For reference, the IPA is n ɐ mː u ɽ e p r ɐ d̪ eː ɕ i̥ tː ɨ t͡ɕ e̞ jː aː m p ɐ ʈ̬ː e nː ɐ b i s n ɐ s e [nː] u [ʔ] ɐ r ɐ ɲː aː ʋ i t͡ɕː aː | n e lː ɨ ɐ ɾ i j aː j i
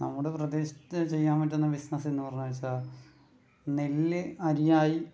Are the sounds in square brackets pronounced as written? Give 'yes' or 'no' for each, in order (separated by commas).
yes, no